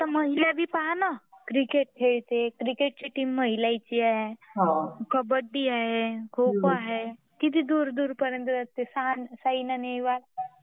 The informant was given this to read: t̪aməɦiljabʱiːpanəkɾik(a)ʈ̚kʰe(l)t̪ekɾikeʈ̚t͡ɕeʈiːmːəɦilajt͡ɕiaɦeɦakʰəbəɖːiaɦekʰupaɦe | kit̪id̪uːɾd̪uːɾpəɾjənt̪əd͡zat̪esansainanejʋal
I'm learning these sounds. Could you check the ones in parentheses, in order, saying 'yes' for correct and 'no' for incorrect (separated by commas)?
no, no